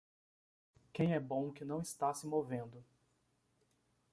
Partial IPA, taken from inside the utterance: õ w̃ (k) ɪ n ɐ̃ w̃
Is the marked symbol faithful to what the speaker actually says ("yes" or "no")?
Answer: yes